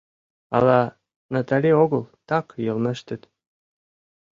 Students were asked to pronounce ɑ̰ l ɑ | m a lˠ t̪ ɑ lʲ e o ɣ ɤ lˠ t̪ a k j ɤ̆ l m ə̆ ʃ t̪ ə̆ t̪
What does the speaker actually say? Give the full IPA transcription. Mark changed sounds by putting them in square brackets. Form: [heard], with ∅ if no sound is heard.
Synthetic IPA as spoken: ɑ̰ l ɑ | [n] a [∅] t̪ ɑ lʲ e o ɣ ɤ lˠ t̪ [ɑ] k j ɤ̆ l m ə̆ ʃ t̪ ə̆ t̪